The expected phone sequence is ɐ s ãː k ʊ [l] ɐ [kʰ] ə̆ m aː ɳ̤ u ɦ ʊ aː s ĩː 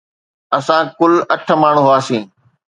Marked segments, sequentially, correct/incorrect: correct, incorrect: ʈʰ

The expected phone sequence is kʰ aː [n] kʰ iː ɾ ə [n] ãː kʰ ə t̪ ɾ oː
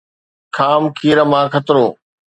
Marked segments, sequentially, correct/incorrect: incorrect: m, incorrect: m

